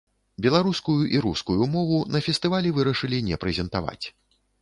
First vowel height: mid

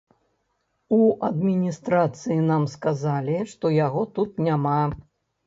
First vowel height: high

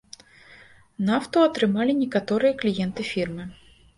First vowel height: low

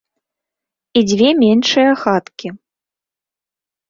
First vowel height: high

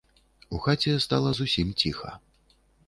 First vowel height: high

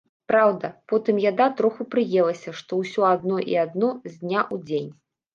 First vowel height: low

